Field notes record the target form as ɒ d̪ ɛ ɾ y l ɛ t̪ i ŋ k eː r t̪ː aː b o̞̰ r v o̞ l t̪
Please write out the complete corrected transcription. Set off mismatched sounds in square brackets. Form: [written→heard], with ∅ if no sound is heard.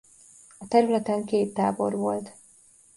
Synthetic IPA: ɒ [d̪→t̪] ɛ ɾ y l ɛ t̪ [i→ɛ] ŋ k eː [r→∅] t̪ː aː b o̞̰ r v o̞ l t̪